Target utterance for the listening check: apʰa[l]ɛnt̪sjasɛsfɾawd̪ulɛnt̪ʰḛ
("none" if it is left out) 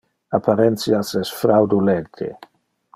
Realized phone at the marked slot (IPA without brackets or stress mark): ɾ